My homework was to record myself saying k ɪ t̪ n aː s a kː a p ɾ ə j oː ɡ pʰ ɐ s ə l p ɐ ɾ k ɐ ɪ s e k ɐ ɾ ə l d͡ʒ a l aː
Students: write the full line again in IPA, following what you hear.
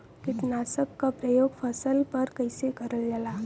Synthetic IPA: k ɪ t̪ n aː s ə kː a p ɾ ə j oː ɡ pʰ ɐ s ə l p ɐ ɾ k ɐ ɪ s e k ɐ ɾ ə l d͡ʒ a l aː